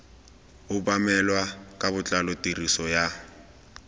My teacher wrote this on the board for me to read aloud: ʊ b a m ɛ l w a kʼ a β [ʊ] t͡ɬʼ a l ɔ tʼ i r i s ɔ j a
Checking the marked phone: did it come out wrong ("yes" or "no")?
no